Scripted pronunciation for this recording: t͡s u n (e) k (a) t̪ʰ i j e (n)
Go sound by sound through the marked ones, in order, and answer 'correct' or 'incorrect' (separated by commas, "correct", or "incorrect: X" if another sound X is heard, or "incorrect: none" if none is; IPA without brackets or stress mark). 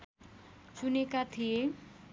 correct, correct, incorrect: none